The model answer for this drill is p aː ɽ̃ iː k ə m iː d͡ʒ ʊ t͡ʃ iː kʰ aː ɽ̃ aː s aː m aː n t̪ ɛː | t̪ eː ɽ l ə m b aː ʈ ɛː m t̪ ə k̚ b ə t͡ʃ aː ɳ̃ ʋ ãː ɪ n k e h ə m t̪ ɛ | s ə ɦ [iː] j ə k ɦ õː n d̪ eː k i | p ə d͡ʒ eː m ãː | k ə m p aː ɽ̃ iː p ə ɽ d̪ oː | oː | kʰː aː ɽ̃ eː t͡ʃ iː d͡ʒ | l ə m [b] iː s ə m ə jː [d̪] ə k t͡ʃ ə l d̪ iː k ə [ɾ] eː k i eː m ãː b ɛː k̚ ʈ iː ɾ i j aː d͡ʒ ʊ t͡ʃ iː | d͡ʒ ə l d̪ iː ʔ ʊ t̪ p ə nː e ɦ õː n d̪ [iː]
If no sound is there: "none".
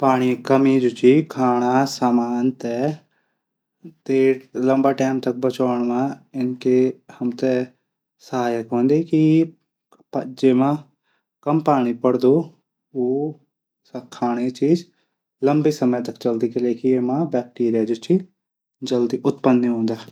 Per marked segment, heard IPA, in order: aː, b, t̪, l, aː

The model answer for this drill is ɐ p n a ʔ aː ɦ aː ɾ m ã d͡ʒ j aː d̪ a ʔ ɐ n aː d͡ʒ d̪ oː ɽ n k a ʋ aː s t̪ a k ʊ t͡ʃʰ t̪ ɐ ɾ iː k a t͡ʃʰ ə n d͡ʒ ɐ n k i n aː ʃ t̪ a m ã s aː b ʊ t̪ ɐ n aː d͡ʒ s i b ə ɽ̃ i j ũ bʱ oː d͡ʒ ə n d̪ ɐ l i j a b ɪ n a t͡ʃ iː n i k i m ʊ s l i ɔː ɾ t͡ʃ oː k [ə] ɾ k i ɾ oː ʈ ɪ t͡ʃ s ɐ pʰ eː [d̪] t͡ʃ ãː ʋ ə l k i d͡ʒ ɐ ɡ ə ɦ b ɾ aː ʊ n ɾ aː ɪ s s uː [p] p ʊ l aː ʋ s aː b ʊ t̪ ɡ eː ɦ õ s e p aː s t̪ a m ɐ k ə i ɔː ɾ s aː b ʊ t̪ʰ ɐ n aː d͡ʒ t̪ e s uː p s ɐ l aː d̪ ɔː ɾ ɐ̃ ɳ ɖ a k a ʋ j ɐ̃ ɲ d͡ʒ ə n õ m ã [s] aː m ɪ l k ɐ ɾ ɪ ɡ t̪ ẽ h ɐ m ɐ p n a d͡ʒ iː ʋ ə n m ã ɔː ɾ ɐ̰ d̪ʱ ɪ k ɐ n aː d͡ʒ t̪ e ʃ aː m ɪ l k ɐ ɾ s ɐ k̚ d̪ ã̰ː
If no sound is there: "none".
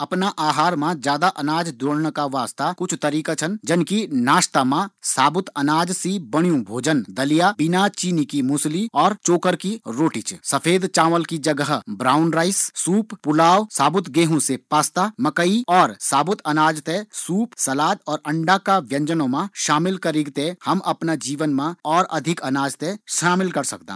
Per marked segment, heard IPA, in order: ə, d̪, p, ʃ

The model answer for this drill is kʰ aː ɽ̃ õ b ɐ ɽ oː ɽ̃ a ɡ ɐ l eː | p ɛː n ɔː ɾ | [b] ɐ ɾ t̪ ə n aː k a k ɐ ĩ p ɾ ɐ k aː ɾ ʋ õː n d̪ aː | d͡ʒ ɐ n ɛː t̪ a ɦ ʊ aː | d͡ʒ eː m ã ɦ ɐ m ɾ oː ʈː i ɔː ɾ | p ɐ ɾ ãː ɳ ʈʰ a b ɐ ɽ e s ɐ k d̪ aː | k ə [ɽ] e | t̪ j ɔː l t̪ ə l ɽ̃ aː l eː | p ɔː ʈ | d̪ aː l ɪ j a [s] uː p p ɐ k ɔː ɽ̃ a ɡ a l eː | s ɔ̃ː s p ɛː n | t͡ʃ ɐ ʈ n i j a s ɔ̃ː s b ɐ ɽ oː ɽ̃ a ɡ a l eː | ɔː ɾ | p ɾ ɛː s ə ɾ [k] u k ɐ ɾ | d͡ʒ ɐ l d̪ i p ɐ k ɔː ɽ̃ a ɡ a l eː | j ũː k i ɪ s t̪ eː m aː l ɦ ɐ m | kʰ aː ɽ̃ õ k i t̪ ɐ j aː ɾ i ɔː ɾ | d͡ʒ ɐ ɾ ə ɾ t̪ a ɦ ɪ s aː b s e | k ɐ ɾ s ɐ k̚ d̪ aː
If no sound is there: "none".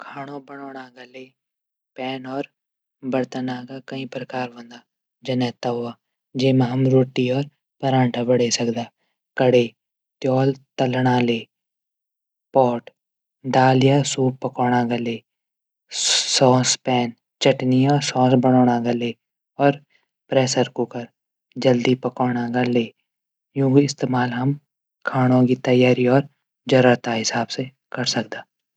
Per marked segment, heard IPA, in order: b, ɽ, s, k

